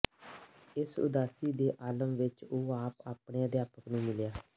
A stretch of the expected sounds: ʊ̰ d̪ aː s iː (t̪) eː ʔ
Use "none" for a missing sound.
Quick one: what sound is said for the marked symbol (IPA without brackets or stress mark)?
d̪